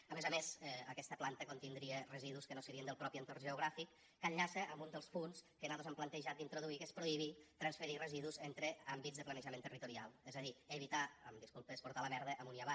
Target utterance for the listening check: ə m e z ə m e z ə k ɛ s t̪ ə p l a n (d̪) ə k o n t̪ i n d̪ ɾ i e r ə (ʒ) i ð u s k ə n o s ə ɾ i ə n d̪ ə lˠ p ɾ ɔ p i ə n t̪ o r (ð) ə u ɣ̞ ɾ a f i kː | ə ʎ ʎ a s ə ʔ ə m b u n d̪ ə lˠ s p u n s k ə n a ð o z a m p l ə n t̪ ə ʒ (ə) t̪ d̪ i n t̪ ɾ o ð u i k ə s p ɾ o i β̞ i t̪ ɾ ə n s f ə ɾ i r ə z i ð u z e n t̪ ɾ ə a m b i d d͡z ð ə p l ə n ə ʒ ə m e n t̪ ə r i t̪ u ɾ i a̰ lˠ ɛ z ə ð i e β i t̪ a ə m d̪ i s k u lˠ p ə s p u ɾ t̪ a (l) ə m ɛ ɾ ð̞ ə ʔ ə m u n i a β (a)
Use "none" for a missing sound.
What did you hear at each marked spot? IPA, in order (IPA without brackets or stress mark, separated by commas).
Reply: t̪, z, ʒ, a, l, a